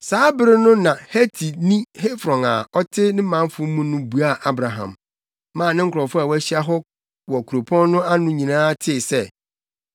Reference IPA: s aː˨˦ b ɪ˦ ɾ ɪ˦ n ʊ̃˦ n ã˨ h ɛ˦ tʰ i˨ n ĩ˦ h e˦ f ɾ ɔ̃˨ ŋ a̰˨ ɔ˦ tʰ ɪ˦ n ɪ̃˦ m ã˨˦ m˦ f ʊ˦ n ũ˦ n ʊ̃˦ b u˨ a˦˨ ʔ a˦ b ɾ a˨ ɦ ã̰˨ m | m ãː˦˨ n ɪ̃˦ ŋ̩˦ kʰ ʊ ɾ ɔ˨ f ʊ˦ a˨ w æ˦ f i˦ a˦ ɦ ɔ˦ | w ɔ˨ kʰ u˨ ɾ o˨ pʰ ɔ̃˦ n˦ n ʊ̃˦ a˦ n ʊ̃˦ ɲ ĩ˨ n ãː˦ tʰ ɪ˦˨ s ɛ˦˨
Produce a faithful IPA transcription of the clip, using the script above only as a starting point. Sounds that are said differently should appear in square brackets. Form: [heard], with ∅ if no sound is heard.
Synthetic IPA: s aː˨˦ b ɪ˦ ɾ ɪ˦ n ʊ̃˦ n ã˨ h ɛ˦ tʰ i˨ n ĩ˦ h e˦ f ɾ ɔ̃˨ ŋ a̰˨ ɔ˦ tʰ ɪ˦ n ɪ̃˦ m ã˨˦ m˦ f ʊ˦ [m] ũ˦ n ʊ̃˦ b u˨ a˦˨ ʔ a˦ b ɾ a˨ ɦ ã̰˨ m | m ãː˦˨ n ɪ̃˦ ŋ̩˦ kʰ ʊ ɾ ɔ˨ f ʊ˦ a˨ w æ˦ [ɕ] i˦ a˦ ɦ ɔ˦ | w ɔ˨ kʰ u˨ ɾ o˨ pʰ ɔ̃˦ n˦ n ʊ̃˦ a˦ n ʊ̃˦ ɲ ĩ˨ n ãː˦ tʰ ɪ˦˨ s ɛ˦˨